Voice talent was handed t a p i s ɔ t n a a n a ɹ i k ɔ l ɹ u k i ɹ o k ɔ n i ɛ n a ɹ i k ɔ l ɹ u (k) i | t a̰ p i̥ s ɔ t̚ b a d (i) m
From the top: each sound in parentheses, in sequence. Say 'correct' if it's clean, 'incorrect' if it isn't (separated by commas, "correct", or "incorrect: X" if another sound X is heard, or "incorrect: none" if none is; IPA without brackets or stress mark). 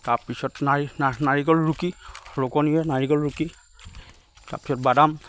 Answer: correct, incorrect: a